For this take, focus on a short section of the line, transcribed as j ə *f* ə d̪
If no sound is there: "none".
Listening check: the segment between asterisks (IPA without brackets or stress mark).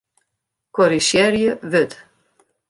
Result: v